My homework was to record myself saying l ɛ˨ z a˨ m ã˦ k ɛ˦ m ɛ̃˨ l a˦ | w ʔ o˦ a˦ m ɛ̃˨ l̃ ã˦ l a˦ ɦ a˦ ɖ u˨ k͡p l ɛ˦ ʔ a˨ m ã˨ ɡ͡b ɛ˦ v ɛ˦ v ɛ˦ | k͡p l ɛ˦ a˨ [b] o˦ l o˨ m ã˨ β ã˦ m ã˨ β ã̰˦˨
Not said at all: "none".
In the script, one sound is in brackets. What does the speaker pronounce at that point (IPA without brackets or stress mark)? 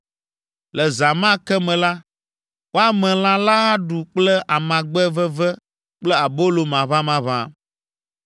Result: b